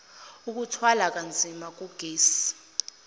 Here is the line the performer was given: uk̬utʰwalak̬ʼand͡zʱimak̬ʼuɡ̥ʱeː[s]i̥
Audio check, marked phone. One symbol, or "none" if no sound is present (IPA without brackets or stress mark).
s